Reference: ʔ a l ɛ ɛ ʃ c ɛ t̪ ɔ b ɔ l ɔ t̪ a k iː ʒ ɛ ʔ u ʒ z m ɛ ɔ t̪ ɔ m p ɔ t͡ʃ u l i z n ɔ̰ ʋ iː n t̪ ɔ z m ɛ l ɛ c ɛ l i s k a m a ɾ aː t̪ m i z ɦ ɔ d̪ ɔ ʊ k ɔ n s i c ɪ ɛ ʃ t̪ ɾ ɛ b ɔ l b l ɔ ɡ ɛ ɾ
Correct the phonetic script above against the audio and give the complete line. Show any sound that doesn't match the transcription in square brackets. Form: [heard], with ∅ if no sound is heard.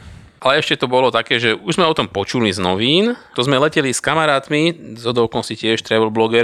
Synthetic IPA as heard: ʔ a l ɛ ɛ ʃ c ɛ t̪ ɔ b ɔ l ɔ t̪ a k [ɛː] ʒ ɛ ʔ u ʒ z m ɛ ɔ t̪ ɔ m p ɔ t͡ʃ u l i z n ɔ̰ ʋ iː n t̪ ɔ z m ɛ l ɛ c ɛ l i s k a m a ɾ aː t̪ m i z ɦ ɔ d̪ ɔ ʊ k ɔ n s i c ɪ ɛ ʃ t̪ ɾ ɛ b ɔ l b l ɔ ɡ ɛ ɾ